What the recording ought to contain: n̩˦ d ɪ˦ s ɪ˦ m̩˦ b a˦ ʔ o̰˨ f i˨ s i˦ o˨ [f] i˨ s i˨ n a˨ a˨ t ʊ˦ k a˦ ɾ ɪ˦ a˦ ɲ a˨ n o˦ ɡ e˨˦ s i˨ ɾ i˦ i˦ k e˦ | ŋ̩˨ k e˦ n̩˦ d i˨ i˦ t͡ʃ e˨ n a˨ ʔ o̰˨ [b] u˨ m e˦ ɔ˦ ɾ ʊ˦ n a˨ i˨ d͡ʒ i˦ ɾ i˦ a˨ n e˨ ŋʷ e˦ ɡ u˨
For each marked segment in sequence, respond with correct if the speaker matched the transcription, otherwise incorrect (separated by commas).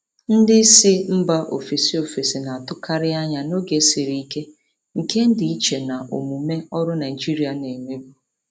correct, incorrect